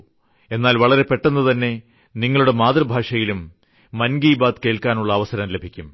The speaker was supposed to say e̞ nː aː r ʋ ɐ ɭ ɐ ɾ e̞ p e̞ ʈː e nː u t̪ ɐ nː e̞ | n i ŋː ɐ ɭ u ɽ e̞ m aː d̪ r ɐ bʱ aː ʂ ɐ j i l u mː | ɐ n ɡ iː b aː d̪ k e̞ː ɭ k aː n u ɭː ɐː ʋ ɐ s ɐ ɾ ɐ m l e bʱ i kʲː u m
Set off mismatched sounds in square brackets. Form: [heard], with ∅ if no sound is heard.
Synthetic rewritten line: e̞ nː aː [l] ʋ ɐ ɭ ɐ ɾ e̞ p e̞ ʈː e nː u t̪ ɐ nː e̞ | n i ŋː ɐ ɭ u ɽ e̞ m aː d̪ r ɐ bʱ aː ʂ ɐ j i l u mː | ɐ n ɡ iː b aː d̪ k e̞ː ɭ k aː n u ɭː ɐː ʋ ɐ s ɐ ɾ ɐ m l e bʱ i kʲː u m